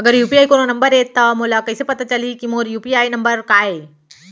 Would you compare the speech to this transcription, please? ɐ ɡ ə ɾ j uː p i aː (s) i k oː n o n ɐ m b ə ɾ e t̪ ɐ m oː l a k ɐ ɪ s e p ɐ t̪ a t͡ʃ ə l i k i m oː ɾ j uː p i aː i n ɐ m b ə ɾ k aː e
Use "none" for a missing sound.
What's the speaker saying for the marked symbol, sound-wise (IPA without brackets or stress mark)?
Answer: none